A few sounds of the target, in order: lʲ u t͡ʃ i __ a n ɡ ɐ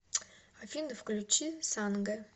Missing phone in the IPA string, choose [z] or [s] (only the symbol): s